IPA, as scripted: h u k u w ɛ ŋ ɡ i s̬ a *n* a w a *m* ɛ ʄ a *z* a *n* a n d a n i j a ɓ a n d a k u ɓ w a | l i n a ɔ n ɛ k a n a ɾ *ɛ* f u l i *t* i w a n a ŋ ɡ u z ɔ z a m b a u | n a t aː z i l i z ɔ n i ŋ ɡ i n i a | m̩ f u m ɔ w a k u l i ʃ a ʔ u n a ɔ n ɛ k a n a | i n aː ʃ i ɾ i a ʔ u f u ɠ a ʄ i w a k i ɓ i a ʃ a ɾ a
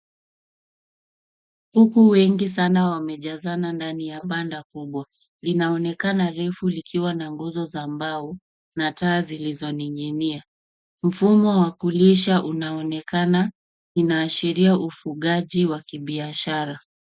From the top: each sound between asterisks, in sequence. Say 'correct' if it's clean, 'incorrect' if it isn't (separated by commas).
correct, correct, correct, correct, correct, incorrect